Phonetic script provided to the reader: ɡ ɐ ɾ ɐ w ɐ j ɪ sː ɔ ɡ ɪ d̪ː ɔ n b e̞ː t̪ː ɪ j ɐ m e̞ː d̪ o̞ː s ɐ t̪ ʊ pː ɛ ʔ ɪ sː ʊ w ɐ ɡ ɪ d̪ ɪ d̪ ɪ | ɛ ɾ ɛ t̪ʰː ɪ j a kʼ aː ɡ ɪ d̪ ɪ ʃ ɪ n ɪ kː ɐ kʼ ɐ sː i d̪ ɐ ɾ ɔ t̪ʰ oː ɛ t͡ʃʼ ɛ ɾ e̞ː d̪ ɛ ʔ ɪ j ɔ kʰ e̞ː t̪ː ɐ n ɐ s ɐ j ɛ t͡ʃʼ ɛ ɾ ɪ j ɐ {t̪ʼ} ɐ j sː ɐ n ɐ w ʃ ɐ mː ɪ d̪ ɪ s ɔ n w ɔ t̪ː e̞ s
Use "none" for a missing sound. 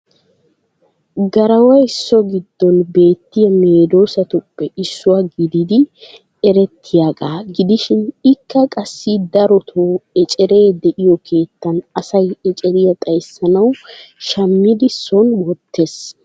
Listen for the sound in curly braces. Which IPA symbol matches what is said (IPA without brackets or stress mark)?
t̪ʼ